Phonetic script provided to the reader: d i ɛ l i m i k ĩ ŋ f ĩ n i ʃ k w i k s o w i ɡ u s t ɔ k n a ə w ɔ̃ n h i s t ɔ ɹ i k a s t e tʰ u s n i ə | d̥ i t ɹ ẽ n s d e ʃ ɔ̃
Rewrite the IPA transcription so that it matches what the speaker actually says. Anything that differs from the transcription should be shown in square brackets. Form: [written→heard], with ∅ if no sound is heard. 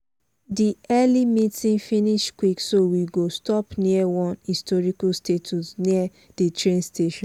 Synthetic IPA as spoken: d i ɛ l i m i [k→t] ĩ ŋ f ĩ n i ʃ k w i k s o w i ɡ [u→o] s t ɔ [k→p] n [a→i] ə w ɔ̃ n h i s t ɔ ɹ i k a s t e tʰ u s n i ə | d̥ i t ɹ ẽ n s [d→t] e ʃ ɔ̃